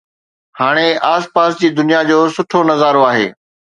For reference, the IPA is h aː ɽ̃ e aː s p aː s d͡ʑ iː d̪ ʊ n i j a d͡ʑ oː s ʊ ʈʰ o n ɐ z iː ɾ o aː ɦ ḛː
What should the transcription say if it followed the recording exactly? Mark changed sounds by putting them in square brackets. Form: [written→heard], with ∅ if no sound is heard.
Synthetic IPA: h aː ɽ̃ e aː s p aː s d͡ʑ iː d̪ ʊ n i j a d͡ʑ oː s ʊ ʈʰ o n ɐ z [iː→aː] ɾ o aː ɦ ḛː

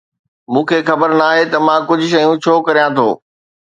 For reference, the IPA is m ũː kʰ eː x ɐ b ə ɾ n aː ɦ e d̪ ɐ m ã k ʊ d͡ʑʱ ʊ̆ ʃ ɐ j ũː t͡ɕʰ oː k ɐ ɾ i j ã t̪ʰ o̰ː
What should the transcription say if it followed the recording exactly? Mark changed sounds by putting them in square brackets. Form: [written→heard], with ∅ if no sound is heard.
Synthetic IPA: m ũː kʰ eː x ɐ b ə ɾ n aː ɦ e [d̪→t̪] ɐ m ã k ʊ d͡ʑʱ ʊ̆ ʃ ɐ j [ũː→ũ] t͡ɕʰ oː k ɐ ɾ i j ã t̪ʰ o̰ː

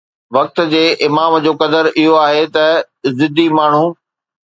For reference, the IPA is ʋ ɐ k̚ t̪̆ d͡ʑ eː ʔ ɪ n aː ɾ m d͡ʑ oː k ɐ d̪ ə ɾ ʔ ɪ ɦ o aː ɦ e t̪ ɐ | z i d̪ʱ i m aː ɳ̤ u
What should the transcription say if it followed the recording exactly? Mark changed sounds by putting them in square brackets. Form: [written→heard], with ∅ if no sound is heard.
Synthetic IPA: ʋ ɐ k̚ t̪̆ d͡ʑ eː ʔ ɪ [n→m] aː [ɾ→∅] m d͡ʑ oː k ɐ d̪ ə ɾ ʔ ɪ ɦ o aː ɦ e t̪ ɐ | z [i→ɪ] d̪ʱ i m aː ɳ̤ u

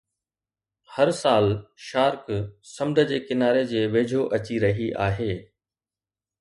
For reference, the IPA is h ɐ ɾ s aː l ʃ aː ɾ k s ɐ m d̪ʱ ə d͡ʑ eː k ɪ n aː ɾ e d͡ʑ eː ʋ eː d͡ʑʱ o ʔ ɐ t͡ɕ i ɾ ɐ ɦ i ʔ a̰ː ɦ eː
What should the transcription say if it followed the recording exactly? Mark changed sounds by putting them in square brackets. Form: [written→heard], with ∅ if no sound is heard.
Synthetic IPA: h ɐ ɾ s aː l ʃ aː ɾ k s ɐ m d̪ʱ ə d͡ʑ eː k ɪ n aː ɾ e d͡ʑ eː ʋ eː d͡ʑʱ o ʔ ɐ t͡ɕ i ɾ ɐ ɦ i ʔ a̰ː ɦ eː

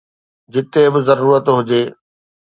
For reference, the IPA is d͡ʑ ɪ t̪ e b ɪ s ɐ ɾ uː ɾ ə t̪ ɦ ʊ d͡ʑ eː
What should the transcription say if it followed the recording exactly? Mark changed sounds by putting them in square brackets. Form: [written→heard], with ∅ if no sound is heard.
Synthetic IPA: d͡ʑ ɪ t̪ e b ɪ [s→z] ɐ ɾ uː ɾ ə t̪ ɦ ʊ d͡ʑ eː

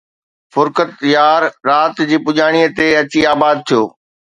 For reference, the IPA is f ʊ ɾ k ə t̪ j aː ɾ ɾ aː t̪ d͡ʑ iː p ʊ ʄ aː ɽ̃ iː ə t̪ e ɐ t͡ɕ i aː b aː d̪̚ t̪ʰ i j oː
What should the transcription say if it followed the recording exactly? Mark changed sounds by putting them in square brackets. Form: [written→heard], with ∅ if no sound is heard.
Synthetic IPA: f ʊ ɾ k ə t̪ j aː ɾ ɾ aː t̪ d͡ʑ iː p ʊ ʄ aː ɽ̃ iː ə t̪ e ɐ t͡ɕ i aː b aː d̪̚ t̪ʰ i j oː

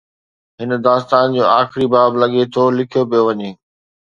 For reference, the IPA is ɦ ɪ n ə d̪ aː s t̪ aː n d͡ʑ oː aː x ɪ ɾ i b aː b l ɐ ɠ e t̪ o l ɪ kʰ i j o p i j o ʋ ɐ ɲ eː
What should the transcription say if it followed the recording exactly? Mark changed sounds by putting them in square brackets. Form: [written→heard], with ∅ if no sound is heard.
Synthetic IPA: ɦ ɪ n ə d̪ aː s t̪ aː n d͡ʑ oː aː x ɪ ɾ i b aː b l ɐ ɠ e [t̪→t̪ʰ] o l ɪ kʰ i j o p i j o ʋ ɐ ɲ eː

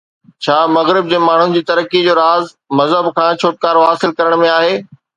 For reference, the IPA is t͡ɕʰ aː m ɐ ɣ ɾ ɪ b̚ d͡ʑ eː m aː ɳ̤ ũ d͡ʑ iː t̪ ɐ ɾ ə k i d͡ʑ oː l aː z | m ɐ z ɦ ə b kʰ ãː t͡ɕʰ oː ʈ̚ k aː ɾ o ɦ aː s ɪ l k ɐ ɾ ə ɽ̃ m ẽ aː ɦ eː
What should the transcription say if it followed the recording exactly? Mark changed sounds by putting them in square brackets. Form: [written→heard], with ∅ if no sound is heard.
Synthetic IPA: t͡ɕʰ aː m ɐ ɣ ɾ ɪ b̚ d͡ʑ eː m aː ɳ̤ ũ d͡ʑ iː t̪ ɐ ɾ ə k i d͡ʑ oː [l→ɾ] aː z | m ɐ z ɦ ə b kʰ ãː t͡ɕʰ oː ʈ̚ k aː ɾ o ɦ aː s ɪ l k ɐ ɾ ə ɽ̃ m ẽ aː ɦ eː

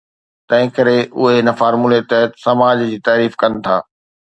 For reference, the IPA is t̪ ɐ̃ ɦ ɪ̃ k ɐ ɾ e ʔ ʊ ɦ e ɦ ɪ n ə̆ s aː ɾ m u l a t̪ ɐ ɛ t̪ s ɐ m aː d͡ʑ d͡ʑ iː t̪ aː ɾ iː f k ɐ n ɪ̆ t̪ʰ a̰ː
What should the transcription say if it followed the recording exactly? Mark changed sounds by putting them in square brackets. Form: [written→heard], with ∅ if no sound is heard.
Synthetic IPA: t̪ ɐ̃ ɦ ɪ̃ k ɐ ɾ e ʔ ʊ ɦ e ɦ ɪ n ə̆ [s→f] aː ɾ m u l [a→e] t̪ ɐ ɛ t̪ s ɐ m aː d͡ʑ d͡ʑ iː t̪ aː ɾ iː f k ɐ n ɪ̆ t̪ʰ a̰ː

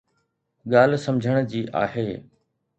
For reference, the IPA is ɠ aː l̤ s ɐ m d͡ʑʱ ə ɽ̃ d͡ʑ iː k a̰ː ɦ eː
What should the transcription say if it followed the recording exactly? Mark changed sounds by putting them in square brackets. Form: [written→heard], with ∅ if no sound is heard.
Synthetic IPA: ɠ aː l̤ s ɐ m d͡ʑʱ ə ɽ̃ d͡ʑ iː [k→ʔ] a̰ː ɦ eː

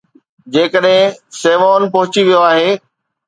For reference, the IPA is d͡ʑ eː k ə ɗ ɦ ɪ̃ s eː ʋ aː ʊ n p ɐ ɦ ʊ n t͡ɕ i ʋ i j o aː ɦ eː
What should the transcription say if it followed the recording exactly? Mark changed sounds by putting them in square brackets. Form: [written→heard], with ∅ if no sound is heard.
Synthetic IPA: d͡ʑ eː k ə ɗ ɦ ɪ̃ s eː ʋ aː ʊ n p ɐ ɦ ʊ [n→∅] t͡ɕ i ʋ i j o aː ɦ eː

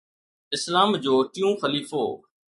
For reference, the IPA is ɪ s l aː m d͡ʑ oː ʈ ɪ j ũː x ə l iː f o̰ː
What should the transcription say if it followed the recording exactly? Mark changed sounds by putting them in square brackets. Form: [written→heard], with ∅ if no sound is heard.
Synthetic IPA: ɪ s l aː m d͡ʑ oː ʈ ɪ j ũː x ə l iː f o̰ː

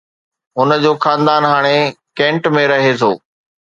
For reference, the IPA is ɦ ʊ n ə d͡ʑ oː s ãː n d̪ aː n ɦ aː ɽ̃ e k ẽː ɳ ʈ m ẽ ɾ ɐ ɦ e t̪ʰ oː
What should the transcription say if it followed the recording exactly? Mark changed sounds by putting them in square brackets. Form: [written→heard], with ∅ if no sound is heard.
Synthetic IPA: ɦ ʊ n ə d͡ʑ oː [s→x] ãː n d̪ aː n ɦ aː ɽ̃ e k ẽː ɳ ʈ m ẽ ɾ ɐ ɦ e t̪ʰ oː

